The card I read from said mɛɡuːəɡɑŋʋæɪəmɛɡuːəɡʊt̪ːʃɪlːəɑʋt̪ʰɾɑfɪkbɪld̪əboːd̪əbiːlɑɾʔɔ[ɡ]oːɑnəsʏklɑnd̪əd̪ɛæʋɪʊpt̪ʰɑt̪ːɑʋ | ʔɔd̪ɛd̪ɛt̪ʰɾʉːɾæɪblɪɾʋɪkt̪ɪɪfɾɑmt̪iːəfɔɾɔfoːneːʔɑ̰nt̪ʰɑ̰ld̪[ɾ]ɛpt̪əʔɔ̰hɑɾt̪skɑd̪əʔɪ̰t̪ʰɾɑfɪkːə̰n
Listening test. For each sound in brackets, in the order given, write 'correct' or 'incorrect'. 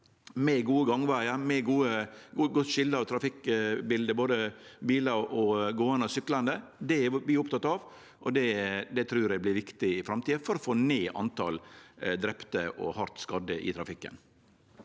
correct, correct

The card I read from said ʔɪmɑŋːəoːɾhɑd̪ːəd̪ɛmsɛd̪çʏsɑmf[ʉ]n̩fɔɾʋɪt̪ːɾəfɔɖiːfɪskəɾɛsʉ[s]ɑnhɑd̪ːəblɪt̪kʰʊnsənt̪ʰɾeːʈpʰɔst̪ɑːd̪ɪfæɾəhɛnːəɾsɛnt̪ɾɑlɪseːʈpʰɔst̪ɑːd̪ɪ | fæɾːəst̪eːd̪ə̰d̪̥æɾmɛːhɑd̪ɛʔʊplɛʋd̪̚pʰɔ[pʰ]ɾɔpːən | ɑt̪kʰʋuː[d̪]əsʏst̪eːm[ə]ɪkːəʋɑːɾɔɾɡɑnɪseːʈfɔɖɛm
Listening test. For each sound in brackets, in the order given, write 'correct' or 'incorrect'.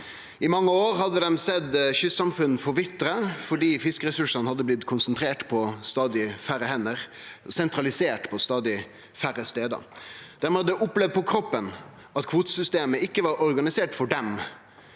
correct, incorrect: ʂ, incorrect: kʰ, incorrect: t̪, correct

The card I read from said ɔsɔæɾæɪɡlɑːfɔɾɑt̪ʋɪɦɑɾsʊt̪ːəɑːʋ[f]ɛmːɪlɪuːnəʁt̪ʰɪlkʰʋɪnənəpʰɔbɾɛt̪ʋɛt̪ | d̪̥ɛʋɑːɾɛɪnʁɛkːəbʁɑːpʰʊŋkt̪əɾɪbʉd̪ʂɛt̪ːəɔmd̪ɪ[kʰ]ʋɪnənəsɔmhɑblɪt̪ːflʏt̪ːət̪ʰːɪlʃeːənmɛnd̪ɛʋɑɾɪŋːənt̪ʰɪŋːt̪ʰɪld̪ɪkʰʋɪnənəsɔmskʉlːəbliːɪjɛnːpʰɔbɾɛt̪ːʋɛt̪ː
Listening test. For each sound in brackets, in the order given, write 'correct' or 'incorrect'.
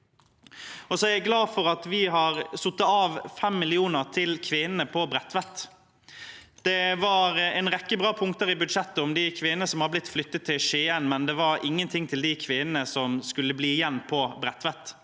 correct, correct

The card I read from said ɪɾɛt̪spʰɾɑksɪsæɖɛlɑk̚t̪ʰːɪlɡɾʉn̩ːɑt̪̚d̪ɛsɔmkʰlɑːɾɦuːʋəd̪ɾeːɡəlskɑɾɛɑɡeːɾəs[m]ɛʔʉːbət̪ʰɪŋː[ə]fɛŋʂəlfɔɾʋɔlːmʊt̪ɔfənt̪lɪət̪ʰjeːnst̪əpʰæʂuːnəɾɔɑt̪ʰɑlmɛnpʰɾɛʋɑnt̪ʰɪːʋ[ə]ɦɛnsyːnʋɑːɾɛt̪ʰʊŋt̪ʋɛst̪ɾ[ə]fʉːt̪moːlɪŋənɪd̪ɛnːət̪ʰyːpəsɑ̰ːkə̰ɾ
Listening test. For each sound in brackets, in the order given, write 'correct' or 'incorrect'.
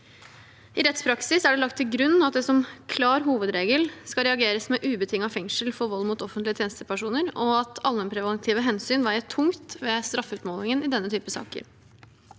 correct, incorrect: ɑ, correct, incorrect: ɑ

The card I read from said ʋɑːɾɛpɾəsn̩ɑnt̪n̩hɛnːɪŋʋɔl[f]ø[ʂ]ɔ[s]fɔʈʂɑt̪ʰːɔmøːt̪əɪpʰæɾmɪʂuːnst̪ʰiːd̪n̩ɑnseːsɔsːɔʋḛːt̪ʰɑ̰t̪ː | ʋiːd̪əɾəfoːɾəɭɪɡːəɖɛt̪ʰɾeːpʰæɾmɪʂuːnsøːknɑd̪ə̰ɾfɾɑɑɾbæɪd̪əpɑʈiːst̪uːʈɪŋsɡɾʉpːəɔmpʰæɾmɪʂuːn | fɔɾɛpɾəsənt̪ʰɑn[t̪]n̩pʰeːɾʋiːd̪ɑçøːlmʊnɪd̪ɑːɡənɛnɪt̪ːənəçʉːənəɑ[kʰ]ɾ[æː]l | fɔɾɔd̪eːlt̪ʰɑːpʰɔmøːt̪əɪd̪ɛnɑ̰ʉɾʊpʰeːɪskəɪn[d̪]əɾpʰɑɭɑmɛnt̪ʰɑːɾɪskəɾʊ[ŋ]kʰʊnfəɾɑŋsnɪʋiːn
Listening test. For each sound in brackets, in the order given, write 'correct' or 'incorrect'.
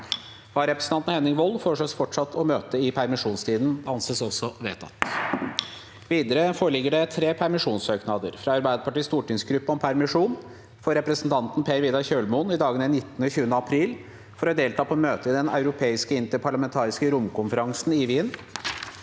correct, correct, correct, correct, incorrect: pʰ, incorrect: iː, incorrect: t̪, incorrect: m

